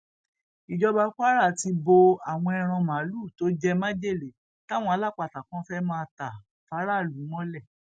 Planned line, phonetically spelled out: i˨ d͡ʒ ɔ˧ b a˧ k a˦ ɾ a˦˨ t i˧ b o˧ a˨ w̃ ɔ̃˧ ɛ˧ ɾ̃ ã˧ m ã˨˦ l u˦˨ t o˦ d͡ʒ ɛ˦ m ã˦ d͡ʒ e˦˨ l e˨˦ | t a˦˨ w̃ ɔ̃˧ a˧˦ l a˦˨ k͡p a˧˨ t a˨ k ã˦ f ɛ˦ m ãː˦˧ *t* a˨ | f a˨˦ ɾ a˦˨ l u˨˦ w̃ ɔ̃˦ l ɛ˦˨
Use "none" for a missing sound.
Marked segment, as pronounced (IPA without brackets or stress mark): t